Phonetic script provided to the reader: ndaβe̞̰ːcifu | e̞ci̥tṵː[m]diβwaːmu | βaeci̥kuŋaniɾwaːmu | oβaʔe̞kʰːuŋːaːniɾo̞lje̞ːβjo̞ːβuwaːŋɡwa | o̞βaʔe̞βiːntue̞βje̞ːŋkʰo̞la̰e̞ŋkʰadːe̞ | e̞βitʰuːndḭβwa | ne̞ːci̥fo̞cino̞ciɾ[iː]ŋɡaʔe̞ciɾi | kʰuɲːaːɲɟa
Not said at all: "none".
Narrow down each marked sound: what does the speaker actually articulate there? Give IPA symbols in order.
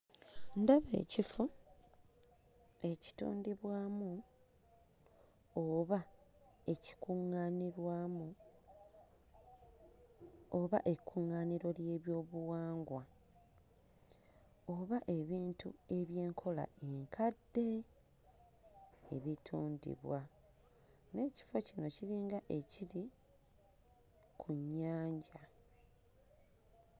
n, iː

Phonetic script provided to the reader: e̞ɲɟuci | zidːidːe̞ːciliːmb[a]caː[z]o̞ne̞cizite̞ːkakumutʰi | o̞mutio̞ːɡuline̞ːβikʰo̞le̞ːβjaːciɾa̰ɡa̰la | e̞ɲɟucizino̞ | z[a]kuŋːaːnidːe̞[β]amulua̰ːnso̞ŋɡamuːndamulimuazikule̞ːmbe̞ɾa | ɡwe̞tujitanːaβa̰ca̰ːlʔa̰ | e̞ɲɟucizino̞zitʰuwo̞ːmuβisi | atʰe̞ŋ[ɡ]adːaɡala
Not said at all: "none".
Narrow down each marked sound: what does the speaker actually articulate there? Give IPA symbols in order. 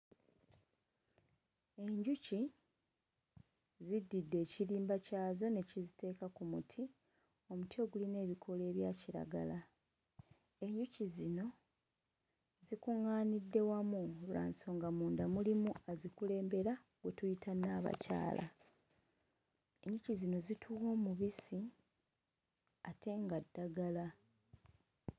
a, z, i, w, ɡ

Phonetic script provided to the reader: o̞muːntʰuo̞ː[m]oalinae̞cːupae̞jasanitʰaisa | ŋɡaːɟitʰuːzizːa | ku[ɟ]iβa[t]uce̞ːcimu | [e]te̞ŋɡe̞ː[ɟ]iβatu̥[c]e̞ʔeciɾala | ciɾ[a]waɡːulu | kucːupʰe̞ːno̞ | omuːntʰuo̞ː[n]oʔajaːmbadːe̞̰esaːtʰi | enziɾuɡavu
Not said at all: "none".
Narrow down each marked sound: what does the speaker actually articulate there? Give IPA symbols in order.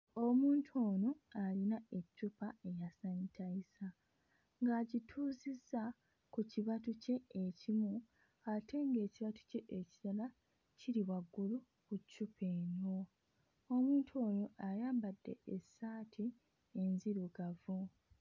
n, c, t, a, c, c, i, n

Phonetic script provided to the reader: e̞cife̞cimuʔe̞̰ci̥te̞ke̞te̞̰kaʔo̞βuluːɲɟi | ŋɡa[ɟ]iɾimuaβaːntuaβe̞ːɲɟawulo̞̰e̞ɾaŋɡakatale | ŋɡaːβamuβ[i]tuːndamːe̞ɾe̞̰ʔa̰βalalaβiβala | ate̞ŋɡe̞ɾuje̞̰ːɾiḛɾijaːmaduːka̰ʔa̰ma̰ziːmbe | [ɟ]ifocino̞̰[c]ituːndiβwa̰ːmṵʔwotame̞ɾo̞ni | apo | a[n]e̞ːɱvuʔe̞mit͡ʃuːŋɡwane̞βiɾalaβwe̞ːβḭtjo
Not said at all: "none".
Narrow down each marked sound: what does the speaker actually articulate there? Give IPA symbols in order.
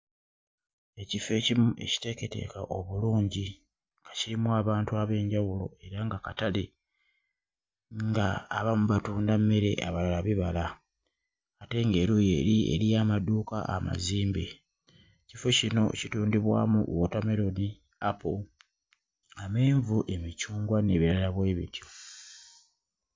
c, a, c, c, m

